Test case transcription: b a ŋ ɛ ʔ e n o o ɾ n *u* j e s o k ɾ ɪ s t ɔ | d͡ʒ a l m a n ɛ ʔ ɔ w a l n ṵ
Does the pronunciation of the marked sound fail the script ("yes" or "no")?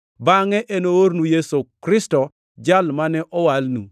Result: no